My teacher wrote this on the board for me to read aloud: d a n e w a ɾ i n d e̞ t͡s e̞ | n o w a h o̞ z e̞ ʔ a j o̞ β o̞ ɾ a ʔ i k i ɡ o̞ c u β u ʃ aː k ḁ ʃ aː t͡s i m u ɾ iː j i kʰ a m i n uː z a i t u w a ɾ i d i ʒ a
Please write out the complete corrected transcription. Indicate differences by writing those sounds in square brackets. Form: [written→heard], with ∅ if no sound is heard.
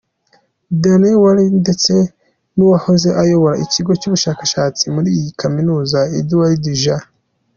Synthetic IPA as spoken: d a n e w a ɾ i n d e̞ t͡s e̞ | n [o→u] w a h o̞ z e̞ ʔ a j o̞ β o̞ ɾ a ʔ i [k→c] i ɡ o̞ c u β u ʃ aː k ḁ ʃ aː t͡s i m u ɾ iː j i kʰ a m i n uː z a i [t→d] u w a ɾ i d i ʒ a